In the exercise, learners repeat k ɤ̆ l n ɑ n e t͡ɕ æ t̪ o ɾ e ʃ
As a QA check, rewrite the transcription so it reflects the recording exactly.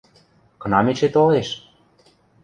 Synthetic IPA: k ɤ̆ n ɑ m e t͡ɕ e t̪ o l e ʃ